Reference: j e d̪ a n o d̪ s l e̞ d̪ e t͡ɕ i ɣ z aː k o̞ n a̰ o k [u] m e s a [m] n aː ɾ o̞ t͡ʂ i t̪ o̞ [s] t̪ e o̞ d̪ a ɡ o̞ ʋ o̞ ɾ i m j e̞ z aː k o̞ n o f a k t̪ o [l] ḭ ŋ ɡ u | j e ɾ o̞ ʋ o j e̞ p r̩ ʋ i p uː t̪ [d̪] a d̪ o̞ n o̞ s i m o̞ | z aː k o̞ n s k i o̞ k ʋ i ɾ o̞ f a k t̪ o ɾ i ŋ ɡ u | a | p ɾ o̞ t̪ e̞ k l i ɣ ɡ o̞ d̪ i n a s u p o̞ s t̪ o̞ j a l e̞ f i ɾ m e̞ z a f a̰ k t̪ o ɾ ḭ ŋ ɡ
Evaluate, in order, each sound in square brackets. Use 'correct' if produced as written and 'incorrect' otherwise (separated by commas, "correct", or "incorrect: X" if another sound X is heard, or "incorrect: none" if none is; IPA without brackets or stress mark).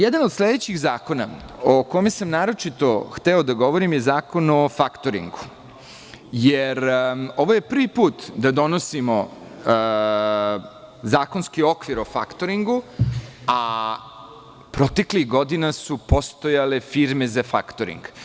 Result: incorrect: o, correct, incorrect: x, incorrect: ɾ, correct